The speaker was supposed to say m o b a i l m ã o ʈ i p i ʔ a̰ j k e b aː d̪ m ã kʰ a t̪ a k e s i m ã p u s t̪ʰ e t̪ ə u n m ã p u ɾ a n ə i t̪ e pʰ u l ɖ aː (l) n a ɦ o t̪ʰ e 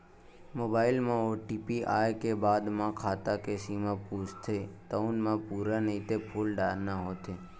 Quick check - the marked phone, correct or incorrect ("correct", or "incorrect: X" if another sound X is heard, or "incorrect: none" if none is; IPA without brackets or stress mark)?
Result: incorrect: ɾ